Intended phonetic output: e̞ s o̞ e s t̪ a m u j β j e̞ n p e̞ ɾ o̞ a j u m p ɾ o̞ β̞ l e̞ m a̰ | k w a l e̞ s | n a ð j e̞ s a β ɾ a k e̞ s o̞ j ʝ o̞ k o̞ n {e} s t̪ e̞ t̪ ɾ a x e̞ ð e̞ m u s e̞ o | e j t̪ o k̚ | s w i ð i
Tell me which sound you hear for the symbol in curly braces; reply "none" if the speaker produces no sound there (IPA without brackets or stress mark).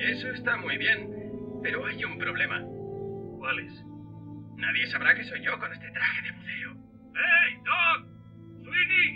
e